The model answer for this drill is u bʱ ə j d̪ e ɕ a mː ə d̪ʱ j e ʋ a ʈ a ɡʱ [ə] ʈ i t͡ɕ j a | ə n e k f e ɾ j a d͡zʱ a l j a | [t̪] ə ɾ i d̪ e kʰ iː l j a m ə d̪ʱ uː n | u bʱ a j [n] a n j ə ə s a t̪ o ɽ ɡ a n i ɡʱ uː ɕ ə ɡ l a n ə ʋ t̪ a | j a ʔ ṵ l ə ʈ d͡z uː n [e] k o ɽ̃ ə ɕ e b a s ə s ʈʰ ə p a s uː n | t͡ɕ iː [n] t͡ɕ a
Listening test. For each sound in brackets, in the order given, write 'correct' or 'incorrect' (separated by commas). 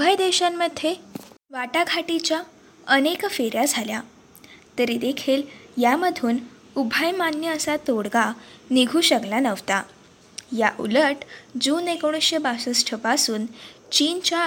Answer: incorrect, correct, incorrect, correct, correct